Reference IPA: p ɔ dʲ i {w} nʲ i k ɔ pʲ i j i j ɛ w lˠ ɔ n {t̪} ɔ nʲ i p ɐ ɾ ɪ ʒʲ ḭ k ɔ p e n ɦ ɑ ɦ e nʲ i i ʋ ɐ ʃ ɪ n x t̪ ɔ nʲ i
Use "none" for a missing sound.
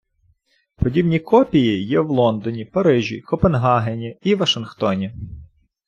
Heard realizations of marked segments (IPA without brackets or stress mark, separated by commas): b, d̪